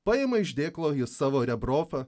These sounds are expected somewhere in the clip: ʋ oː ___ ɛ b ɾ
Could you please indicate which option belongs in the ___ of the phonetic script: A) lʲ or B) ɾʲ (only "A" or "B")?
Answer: B